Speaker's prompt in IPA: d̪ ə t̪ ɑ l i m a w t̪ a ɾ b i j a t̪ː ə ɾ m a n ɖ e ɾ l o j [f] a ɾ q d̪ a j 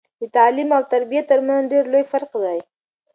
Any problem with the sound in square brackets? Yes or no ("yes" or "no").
no